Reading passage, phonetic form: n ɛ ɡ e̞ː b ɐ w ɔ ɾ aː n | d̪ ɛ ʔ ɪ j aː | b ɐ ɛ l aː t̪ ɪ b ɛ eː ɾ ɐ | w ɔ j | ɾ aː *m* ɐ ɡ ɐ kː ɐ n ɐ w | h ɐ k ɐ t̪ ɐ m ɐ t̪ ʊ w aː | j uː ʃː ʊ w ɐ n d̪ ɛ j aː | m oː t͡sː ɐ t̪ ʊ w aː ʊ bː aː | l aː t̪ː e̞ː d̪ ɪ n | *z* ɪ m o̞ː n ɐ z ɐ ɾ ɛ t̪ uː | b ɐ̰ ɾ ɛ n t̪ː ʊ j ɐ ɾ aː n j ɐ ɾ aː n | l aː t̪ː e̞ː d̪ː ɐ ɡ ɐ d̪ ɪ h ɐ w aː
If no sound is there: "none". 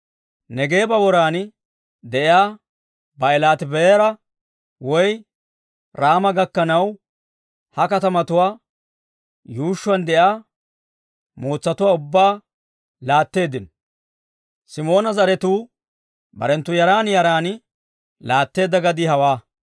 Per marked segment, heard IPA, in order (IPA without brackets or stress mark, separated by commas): m, s